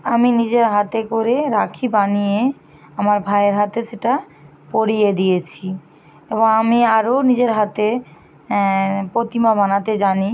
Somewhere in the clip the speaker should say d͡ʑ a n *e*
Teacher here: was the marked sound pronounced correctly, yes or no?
no